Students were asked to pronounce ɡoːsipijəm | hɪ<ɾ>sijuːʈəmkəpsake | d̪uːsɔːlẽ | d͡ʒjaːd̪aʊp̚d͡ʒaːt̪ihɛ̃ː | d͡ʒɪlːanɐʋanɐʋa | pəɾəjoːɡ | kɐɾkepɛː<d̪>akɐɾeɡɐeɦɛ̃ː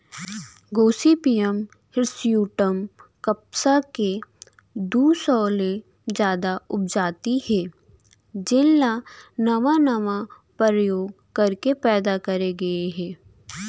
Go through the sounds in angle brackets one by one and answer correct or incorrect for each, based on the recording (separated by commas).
correct, correct